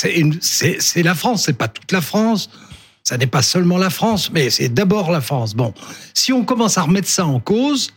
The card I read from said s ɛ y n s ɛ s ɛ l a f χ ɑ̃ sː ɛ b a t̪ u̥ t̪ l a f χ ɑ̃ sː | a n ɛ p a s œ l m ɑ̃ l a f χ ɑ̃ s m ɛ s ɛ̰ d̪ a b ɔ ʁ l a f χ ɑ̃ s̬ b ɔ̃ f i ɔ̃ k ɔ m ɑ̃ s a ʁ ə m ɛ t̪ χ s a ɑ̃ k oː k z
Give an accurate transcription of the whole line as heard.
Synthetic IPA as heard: s ɛ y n s ɛ s ɛ l a f χ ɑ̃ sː ɛ p a t̪ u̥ t̪ l a f χ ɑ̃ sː | a n ɛ p a s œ l m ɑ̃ l a f χ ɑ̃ s m ɛ s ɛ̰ d̪ a b ɔ ʁ l a f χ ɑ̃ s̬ b ɔ̃ s i ɔ̃ k ɔ m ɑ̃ s a ʁ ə m ɛ t̪ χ s a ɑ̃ k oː z